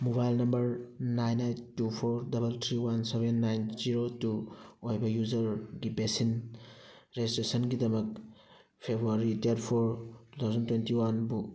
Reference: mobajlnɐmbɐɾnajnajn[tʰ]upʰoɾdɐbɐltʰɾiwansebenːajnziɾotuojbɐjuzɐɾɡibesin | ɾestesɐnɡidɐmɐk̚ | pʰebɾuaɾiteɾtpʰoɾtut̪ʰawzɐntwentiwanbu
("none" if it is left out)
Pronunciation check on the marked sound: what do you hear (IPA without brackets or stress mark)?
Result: t